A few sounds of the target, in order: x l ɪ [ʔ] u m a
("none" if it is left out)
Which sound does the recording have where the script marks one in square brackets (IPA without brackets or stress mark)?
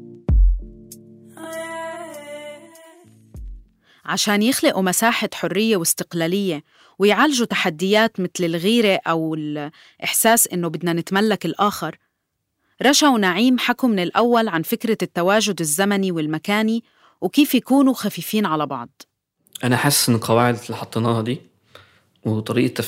ʔ